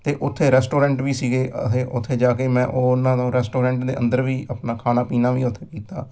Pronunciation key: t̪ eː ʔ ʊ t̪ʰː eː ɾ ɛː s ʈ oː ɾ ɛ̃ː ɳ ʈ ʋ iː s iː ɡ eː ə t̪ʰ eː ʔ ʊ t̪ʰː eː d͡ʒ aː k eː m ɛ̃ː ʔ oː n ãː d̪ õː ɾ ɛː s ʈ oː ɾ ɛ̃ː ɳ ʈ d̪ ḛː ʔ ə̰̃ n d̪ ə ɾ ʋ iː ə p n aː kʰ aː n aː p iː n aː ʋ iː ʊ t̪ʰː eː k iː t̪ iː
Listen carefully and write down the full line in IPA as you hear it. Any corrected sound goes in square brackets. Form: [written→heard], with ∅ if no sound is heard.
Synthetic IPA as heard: t̪ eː ʔ ʊ t̪ʰː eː ɾ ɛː s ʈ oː ɾ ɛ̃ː ɳ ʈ ʋ iː s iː ɡ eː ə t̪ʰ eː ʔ ʊ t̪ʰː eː d͡ʒ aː k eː m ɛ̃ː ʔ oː n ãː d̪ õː ɾ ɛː s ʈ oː ɾ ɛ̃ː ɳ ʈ d̪ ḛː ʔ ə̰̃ n d̪ ə ɾ ʋ iː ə p n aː kʰ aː n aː p iː n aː ʋ iː ʊ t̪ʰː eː k iː t̪ [iː→aː]